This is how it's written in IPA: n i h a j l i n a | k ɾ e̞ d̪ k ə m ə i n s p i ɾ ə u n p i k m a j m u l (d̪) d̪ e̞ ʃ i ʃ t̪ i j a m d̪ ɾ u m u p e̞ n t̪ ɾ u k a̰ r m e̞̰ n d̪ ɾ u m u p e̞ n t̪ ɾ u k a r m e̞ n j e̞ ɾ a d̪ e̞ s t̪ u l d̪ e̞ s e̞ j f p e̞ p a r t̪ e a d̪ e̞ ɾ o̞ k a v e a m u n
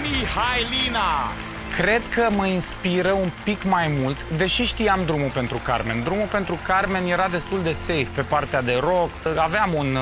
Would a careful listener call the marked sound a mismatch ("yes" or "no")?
yes